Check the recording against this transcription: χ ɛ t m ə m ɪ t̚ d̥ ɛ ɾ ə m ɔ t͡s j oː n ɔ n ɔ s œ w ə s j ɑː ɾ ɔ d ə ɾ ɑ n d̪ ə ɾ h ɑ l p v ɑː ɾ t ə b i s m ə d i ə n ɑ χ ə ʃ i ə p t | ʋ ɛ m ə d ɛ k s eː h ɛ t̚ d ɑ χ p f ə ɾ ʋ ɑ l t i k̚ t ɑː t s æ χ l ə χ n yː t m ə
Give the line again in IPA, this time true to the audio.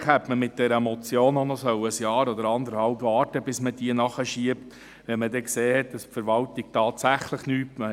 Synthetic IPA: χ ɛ t m ə m ɪ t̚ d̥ ɛ ɾ ə m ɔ t͡s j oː n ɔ n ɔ s œ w ə s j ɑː ɾ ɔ d ə ɾ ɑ n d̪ ə ɾ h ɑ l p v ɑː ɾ t ə b ɪ s m ə d i ə n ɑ χ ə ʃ i ə p t | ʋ ɛ m ə d ɛ k s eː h ɛ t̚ d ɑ s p f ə ɾ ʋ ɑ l t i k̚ t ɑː t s æ χ l ə χ n yː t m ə